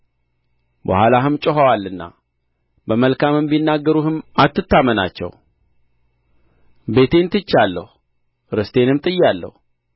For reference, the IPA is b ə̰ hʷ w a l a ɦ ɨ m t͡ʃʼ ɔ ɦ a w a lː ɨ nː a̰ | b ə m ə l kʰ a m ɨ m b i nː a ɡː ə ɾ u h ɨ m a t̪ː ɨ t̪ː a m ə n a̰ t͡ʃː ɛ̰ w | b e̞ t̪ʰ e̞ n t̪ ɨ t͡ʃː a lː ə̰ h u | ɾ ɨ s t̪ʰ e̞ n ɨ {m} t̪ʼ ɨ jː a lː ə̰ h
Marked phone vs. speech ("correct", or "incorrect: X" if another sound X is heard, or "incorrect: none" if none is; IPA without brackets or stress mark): correct